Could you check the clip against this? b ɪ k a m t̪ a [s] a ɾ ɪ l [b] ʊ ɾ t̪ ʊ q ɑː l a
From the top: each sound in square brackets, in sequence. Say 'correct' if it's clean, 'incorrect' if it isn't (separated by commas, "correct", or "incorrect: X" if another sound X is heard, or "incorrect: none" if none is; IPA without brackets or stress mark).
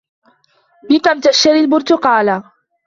incorrect: ʃ, correct